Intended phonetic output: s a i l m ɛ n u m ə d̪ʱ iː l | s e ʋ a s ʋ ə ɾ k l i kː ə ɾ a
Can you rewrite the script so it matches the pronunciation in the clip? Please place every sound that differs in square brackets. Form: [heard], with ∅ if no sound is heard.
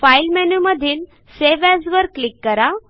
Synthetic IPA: [f] a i l m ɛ n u m ə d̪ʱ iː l | s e ʋ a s ʋ ə ɾ k l i kː ə ɾ a

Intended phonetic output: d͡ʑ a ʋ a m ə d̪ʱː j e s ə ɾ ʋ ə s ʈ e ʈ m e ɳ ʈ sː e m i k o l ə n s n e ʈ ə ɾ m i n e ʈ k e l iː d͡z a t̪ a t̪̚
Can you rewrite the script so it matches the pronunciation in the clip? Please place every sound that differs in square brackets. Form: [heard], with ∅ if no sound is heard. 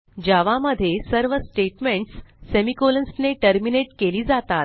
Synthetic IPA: d͡ʑ a ʋ a m ə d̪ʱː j e s ə ɾ ʋ ə s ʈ e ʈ m e ɳ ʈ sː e m i k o l ə n s n e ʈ ə ɾ m i n e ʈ k e l iː d͡z a t̪ a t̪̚

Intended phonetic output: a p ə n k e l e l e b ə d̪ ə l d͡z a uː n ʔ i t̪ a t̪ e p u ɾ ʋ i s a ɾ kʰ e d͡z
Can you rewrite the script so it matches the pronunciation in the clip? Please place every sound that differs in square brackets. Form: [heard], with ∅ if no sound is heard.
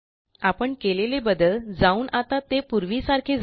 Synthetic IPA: a p ə [ɳ] k e l e l e b ə d̪ ə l d͡z a uː n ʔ [a] t̪ a t̪ e p u ɾ ʋ i s a ɾ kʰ e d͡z

